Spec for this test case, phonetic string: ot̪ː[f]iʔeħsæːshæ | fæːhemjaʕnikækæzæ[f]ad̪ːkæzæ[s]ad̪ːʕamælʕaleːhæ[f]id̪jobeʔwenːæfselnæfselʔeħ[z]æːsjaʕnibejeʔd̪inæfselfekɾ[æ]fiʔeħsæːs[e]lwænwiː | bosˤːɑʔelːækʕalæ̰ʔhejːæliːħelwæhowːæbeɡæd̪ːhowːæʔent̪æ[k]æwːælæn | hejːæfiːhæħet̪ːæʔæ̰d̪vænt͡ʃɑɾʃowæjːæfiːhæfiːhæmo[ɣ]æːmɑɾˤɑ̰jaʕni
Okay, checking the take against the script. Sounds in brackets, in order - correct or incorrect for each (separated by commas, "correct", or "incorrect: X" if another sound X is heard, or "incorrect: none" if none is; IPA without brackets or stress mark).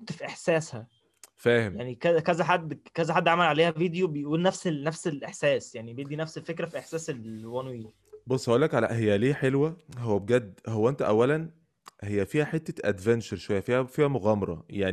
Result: correct, incorrect: ħ, incorrect: ħ, incorrect: v, incorrect: s, correct, correct, incorrect: ʔ, correct